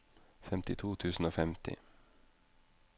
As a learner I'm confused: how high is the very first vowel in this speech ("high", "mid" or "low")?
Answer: mid